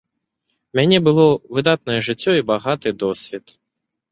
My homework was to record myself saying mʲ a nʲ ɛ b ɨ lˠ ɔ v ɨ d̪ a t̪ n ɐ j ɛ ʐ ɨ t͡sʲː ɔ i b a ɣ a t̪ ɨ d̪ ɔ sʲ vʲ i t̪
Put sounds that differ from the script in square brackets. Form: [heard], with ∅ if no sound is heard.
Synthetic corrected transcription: mʲ a nʲ ɛ b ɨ lˠ ɔ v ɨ d̪ a t̪ n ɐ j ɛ ʐ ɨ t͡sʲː ɔ i b a ɣ a t̪ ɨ d̪ ɔ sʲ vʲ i t̪